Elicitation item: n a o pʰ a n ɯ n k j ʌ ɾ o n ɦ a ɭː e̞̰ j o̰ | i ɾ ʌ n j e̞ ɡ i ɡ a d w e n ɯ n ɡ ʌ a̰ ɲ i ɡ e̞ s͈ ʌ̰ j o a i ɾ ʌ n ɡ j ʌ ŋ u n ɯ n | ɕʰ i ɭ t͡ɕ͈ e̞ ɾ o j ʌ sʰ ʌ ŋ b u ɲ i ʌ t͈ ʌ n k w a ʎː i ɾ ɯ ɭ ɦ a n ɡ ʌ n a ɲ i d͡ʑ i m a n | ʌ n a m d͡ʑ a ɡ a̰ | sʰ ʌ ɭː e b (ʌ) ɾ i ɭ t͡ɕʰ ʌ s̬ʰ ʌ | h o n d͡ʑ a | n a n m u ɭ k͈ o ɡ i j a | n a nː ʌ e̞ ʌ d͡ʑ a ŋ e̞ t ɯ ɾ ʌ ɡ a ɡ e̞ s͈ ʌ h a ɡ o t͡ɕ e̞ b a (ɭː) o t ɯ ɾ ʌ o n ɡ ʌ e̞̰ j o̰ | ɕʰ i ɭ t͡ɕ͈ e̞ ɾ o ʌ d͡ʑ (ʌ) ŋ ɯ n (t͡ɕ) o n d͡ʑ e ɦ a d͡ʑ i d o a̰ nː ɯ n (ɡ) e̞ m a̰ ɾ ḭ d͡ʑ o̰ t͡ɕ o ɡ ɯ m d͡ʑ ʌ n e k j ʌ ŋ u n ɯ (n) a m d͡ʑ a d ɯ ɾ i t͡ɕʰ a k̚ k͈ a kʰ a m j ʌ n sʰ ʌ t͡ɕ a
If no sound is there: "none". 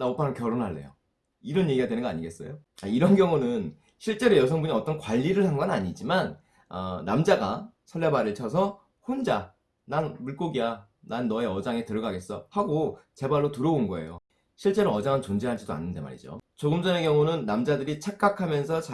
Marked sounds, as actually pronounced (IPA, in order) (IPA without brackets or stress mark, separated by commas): a, ɭː, a, t͡ɕ, d, nː